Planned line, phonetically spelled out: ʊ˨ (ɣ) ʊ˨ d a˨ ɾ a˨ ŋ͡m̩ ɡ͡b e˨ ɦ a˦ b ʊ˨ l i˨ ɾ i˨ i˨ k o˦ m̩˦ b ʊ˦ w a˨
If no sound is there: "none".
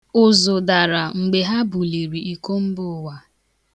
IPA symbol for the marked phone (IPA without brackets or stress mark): z